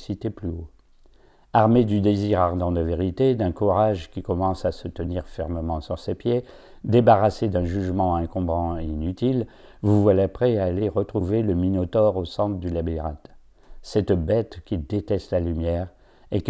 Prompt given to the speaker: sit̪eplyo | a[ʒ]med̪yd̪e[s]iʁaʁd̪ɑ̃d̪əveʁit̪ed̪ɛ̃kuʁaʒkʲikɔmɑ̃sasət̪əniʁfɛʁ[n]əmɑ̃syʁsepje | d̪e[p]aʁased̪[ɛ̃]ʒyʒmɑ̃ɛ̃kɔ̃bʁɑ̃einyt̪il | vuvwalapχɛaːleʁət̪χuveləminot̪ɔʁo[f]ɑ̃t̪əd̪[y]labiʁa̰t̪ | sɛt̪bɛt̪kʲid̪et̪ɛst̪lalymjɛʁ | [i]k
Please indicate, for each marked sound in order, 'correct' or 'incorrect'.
incorrect, incorrect, incorrect, incorrect, correct, incorrect, correct, incorrect

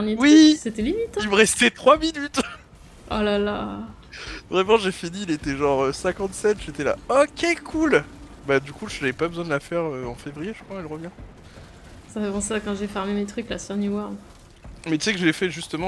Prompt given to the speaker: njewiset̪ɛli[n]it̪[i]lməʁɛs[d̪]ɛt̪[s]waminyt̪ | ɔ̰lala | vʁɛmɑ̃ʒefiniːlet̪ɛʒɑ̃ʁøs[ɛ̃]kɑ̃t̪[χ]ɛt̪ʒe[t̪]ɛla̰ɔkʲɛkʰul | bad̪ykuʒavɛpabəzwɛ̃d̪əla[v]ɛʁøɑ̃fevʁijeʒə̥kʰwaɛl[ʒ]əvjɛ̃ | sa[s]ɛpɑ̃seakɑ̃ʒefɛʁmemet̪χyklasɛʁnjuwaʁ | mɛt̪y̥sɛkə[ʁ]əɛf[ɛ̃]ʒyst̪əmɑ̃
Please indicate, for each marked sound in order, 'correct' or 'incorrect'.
incorrect, correct, incorrect, incorrect, correct, incorrect, correct, incorrect, incorrect, incorrect, incorrect, incorrect

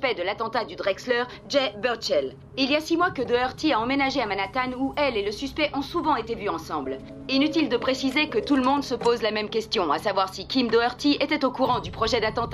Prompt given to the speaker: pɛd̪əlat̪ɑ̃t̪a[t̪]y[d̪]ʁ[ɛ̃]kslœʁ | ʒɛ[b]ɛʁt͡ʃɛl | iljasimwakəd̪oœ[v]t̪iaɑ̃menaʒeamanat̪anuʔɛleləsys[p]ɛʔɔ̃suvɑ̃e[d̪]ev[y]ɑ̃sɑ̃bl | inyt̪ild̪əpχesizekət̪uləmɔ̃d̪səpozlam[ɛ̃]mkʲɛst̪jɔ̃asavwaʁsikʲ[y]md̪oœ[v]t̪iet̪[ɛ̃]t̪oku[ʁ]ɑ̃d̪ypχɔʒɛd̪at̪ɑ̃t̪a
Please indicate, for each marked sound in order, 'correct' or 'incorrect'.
incorrect, correct, incorrect, correct, incorrect, correct, incorrect, correct, incorrect, incorrect, incorrect, incorrect, correct

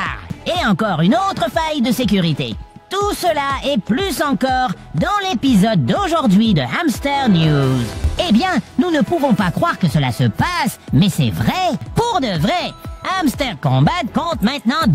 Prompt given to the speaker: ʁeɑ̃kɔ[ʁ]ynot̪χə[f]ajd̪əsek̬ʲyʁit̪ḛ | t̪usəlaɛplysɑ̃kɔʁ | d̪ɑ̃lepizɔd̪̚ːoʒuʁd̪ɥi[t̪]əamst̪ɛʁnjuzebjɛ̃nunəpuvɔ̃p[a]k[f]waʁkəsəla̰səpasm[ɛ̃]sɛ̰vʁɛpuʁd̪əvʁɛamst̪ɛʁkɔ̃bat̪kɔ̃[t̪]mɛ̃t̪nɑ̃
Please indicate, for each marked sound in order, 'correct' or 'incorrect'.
correct, correct, incorrect, correct, incorrect, incorrect, correct

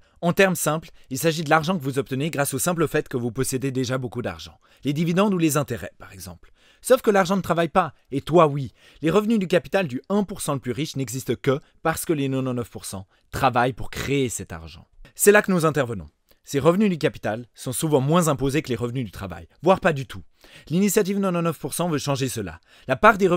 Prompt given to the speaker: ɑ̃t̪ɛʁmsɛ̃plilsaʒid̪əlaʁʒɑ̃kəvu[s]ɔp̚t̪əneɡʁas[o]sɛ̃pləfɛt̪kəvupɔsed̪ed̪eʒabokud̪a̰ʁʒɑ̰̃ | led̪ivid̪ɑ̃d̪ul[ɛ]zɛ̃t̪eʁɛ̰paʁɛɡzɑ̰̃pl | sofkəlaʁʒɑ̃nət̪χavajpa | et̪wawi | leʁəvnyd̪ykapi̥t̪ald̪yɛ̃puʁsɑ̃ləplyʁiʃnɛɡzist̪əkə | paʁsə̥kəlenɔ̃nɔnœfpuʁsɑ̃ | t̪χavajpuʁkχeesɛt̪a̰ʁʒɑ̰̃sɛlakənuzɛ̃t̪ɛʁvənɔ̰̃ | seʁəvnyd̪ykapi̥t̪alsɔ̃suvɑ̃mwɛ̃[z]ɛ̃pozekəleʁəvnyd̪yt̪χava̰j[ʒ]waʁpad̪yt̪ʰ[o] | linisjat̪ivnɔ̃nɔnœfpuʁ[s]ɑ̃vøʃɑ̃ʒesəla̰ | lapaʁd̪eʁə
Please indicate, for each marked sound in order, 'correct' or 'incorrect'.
incorrect, correct, incorrect, correct, incorrect, incorrect, correct

